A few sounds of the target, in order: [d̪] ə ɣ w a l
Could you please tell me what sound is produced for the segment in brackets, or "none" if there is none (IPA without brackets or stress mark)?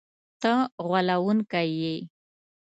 t̪